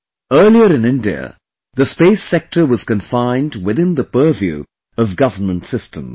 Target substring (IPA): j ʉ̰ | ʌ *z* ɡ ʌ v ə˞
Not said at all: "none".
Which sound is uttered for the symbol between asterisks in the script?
v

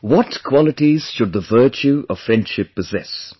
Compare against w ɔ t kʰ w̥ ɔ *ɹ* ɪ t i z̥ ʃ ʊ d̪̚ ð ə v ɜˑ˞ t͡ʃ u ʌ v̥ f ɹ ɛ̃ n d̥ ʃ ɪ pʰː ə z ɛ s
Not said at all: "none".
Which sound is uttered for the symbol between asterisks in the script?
l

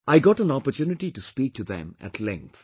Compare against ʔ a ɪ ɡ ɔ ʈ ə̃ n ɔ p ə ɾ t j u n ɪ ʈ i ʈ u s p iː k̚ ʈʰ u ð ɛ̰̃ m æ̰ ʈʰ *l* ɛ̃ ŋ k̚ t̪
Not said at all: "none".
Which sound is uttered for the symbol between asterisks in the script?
l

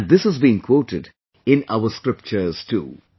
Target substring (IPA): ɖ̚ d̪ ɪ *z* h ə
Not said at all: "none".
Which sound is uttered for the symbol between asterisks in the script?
s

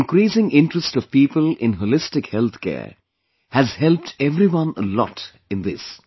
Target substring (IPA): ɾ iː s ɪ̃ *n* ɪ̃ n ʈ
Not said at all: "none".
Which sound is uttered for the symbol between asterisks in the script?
ŋ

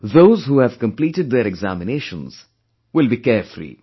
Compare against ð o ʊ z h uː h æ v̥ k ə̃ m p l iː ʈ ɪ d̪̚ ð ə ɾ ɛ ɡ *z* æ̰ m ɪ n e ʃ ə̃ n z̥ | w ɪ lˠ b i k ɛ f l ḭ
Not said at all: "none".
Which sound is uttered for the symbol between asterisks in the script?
z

